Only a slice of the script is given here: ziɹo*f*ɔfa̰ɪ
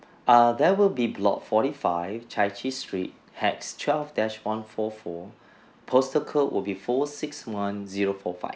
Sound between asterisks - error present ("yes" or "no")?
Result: no